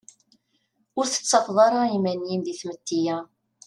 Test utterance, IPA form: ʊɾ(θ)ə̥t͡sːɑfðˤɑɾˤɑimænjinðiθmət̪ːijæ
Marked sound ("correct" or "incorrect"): correct